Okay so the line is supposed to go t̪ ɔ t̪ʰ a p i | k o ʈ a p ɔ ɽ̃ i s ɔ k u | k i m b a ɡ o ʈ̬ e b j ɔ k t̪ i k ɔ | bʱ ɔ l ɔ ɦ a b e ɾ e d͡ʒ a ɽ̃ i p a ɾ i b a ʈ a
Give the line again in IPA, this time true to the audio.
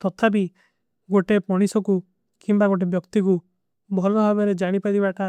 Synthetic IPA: t̪ ɔ t̪ʰ a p i | ɡ o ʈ e p ɔ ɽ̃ i s ɔ k u | k i m b a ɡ o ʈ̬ e b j ɔ k t̪ i k u | bʱ ɔ l ɔ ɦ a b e ɾ e d͡ʒ a ɽ̃ i p a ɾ i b a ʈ a